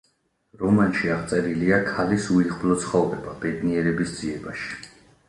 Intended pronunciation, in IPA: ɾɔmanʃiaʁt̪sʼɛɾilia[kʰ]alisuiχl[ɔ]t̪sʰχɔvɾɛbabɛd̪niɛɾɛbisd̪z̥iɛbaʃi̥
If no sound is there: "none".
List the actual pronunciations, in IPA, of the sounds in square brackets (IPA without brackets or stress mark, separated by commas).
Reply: kʰ, ɔ